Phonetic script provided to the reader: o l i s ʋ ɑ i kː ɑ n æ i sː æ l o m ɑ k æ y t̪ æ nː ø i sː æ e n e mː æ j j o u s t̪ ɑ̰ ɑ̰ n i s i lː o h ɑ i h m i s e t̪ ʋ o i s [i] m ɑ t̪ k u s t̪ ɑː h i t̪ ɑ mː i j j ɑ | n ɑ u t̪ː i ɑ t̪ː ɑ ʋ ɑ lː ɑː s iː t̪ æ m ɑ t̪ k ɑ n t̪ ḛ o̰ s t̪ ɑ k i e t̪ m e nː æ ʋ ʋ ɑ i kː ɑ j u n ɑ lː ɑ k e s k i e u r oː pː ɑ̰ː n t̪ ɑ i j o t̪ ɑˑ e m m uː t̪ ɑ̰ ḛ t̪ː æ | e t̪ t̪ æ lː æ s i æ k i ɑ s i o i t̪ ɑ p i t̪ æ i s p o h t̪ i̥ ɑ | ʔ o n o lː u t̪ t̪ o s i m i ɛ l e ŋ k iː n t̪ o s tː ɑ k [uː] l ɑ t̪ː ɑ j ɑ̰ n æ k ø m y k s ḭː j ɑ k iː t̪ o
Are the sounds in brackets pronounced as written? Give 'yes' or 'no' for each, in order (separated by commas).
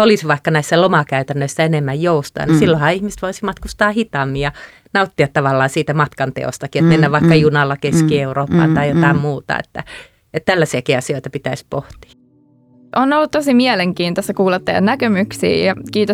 yes, yes